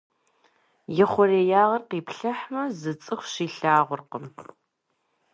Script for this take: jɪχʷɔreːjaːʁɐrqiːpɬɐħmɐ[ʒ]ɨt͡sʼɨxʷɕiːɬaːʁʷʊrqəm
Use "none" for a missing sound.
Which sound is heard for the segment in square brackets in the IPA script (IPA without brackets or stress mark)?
z